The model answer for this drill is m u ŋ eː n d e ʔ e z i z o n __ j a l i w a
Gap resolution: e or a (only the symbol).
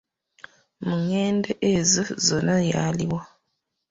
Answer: a